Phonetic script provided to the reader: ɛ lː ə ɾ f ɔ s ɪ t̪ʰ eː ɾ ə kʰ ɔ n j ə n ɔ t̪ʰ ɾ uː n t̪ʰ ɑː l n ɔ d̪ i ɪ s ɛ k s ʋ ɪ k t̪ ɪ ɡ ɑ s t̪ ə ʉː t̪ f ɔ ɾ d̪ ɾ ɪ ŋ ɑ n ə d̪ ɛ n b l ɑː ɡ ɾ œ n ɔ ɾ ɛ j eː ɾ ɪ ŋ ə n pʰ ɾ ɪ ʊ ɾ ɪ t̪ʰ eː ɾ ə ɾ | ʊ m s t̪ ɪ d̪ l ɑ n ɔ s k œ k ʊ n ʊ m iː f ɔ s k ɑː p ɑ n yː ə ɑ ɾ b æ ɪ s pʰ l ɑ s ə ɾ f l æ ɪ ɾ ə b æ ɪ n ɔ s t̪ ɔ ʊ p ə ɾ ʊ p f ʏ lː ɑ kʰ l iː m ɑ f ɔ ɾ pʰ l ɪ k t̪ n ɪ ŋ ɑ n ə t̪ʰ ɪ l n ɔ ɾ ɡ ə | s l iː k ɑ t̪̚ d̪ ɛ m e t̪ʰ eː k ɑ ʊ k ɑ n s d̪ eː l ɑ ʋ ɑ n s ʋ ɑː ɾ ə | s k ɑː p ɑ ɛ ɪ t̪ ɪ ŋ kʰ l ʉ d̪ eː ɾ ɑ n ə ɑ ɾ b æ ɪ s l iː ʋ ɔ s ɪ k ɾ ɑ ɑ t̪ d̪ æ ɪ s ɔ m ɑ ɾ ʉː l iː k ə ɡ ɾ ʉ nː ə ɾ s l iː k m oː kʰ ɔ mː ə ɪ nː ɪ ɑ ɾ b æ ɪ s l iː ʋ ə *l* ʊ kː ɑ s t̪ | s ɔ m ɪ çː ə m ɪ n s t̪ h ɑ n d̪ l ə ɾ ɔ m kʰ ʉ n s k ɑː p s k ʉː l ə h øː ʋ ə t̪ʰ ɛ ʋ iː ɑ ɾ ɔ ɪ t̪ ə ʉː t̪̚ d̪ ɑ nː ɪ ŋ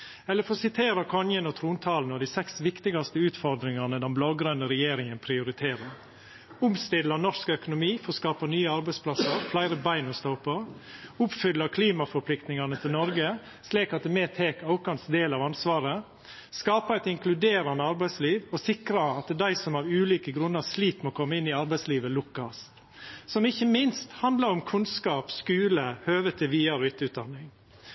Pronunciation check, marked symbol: correct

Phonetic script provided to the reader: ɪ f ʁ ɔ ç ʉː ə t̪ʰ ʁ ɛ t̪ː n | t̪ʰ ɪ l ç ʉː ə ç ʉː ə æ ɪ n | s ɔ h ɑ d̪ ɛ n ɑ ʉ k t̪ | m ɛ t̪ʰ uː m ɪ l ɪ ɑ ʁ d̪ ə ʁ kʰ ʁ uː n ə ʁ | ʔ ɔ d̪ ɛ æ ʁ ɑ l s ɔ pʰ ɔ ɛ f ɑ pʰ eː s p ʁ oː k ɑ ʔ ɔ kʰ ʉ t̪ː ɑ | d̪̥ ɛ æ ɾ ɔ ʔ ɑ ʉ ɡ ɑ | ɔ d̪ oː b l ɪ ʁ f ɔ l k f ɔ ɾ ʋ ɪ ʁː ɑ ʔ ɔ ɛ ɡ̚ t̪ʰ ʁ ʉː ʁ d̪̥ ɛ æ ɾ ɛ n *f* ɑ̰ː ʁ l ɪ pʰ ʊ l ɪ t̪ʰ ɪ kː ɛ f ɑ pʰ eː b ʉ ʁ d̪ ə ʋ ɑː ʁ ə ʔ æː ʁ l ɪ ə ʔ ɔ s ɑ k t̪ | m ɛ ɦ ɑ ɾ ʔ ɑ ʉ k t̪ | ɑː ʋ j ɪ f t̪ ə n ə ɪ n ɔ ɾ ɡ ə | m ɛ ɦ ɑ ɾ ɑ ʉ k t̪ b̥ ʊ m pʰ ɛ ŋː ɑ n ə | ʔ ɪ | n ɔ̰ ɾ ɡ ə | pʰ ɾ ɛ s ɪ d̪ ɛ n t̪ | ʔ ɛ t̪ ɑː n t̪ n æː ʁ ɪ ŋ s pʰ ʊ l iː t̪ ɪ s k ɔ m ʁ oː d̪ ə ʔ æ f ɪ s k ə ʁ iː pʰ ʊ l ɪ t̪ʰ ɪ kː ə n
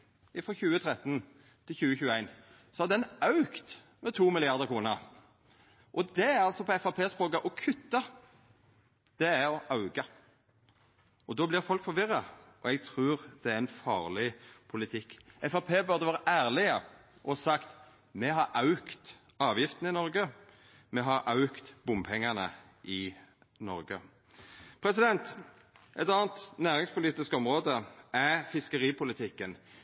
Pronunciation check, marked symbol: correct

